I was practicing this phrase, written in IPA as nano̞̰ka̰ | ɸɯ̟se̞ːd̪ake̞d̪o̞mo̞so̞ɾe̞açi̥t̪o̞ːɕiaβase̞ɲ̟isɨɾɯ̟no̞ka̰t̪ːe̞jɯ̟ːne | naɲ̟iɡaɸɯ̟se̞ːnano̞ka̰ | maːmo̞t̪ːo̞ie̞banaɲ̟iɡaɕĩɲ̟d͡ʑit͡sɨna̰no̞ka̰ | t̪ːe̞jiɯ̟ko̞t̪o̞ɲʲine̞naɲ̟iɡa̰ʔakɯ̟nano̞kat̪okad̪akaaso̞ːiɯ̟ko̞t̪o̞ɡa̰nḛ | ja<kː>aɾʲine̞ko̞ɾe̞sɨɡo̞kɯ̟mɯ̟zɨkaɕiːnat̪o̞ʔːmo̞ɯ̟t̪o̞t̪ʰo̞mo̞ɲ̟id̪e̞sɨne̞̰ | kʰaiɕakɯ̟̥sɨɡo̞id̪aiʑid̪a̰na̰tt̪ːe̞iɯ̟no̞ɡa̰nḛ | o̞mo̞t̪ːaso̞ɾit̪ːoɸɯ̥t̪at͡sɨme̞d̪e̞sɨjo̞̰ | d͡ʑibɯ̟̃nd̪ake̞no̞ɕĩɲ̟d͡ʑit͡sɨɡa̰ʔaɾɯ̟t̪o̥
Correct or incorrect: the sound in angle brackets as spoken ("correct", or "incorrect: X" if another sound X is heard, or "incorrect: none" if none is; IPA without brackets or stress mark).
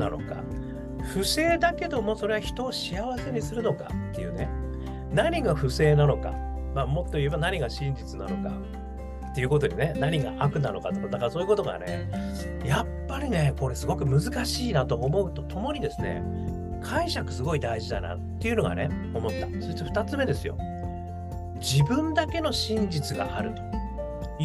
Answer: incorrect: pː